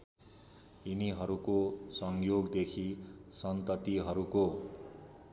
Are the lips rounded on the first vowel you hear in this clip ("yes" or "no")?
no